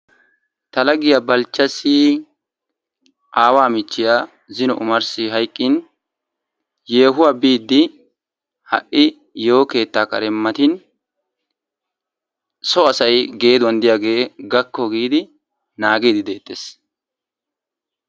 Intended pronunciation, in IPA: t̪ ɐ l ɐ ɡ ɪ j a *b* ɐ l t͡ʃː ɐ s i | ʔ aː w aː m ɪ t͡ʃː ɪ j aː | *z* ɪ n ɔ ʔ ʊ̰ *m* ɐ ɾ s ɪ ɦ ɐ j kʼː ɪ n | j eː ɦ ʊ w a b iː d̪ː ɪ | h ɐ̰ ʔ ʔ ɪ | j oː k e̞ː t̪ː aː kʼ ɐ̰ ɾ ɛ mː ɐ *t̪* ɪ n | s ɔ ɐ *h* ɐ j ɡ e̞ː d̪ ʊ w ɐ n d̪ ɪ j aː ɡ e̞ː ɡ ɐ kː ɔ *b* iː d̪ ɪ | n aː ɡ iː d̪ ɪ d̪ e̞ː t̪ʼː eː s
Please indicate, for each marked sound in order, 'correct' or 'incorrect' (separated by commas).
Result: correct, correct, correct, correct, incorrect, incorrect